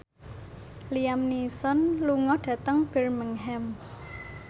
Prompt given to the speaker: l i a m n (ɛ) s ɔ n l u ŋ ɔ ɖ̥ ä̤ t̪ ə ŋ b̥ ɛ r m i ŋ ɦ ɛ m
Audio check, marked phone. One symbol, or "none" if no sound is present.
i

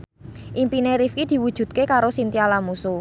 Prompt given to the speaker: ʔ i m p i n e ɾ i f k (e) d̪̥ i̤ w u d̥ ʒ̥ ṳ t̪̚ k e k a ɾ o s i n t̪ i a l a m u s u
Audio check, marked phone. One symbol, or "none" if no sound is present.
i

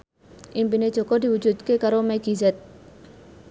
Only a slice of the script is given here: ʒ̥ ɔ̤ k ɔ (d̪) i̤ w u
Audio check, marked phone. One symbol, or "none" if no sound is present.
d̪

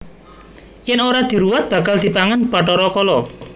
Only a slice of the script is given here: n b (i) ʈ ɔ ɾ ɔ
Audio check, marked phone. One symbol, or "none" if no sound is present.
a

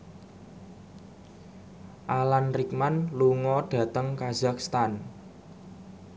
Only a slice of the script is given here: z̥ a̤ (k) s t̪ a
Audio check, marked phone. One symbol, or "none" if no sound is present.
k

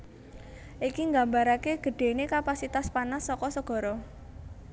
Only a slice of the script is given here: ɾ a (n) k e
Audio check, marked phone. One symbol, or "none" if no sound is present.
none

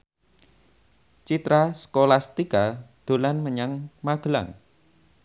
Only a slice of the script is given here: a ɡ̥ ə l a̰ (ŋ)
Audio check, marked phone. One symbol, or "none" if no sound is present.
ŋ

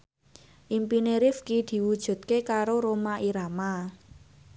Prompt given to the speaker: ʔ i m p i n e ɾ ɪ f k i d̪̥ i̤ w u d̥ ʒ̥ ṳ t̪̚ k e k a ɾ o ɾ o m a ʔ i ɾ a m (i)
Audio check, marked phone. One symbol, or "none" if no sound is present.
a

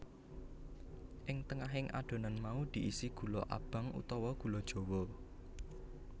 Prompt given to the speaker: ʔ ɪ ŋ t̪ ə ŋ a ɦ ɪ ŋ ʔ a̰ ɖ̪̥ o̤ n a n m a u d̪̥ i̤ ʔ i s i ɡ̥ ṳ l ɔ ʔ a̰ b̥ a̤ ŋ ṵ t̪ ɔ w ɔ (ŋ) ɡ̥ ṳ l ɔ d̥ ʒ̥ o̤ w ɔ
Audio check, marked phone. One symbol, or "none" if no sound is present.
none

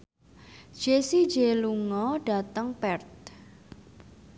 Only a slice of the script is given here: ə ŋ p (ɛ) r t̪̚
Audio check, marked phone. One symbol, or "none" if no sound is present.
ɛ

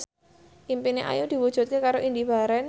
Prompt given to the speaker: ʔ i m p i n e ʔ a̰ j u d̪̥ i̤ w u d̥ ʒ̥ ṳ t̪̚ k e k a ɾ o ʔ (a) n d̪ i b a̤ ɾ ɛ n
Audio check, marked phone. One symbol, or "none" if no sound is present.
i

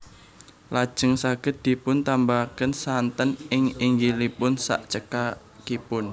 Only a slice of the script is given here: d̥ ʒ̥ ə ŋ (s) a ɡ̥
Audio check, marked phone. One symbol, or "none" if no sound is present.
s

